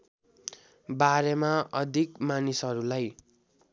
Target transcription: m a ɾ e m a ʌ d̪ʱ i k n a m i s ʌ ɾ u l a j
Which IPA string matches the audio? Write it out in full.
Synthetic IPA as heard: b a ɾ e m a ʌ d̪ʱ i k m a n i s ʌ ɾ u l a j